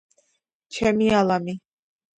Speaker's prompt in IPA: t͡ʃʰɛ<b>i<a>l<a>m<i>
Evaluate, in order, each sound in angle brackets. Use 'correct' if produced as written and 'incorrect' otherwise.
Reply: incorrect, correct, correct, correct

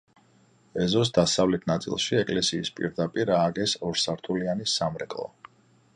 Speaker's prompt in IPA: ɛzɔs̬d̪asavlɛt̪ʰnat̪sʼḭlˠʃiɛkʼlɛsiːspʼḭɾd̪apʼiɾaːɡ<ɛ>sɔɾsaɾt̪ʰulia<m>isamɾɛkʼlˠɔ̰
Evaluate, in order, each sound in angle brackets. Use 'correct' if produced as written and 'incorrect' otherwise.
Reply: correct, incorrect

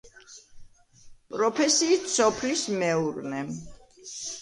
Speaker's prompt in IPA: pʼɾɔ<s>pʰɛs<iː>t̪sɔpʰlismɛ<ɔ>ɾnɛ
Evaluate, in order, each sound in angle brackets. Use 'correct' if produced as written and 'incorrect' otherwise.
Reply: incorrect, correct, incorrect

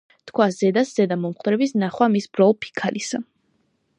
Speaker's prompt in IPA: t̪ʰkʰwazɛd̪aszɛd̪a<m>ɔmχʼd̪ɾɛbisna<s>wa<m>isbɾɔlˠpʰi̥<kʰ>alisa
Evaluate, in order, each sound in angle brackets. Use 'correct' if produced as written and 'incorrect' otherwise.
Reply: correct, incorrect, correct, correct

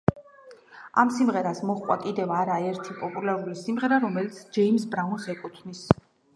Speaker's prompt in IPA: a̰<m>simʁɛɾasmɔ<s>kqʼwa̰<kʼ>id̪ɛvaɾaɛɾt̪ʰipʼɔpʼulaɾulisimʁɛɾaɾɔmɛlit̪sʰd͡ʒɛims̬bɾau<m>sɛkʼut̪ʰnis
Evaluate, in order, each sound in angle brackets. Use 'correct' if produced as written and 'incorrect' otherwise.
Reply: correct, incorrect, correct, incorrect

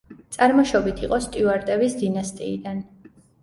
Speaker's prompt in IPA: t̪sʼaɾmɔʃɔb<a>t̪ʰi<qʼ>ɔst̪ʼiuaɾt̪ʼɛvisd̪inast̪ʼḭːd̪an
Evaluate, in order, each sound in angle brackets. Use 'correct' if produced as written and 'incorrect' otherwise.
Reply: incorrect, correct

